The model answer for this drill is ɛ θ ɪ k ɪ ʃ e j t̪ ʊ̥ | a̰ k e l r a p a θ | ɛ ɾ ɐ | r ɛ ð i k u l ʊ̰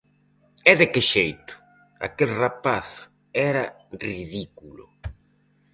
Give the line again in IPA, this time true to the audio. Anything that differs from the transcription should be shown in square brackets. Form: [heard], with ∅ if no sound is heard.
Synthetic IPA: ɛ [ð] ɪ k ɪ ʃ e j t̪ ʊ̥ | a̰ k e l r a p a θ | ɛ ɾ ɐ | r [i] ð i k u l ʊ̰